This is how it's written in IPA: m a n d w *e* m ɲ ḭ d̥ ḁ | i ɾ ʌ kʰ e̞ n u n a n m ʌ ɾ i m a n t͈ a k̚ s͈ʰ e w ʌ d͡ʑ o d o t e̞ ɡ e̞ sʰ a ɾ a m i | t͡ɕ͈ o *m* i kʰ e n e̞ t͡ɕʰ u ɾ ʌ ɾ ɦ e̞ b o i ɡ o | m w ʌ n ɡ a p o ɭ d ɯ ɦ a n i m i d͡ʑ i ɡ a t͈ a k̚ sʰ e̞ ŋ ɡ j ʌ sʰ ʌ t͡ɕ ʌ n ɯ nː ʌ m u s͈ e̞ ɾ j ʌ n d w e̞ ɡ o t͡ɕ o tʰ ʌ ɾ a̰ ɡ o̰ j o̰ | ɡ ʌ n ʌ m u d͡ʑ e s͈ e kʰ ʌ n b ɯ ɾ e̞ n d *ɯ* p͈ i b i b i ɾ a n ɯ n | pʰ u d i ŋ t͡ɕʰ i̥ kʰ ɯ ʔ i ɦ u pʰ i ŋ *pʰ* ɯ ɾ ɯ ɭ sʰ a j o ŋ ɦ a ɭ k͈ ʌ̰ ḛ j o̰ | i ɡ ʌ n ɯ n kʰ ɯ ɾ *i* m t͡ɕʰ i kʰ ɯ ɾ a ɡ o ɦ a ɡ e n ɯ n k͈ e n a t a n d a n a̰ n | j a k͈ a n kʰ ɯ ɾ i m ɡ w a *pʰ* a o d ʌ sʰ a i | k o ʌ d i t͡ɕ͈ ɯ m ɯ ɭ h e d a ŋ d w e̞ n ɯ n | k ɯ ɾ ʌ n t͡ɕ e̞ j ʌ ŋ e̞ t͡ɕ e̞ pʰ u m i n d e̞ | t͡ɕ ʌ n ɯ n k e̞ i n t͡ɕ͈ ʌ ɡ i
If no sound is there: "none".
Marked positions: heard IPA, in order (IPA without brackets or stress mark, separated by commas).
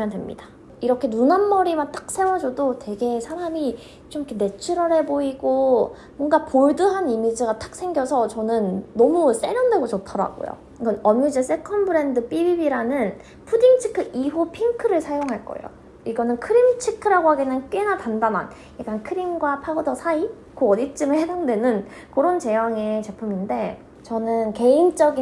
e, m, ɯ, kʰ, i, pʰ